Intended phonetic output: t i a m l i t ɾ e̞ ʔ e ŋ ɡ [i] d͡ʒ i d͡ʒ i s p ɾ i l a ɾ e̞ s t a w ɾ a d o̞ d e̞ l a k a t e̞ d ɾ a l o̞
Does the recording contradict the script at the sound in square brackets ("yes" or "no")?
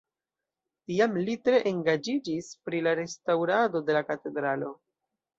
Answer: yes